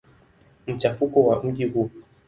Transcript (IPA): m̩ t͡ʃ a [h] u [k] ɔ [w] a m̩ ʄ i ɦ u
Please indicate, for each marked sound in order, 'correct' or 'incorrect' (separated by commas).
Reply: incorrect, correct, correct